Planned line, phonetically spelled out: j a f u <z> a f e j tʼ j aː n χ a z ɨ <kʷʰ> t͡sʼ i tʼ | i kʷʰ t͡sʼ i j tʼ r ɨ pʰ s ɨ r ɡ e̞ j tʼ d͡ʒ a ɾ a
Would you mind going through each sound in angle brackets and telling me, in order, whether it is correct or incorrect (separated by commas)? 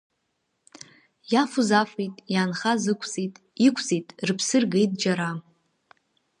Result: correct, correct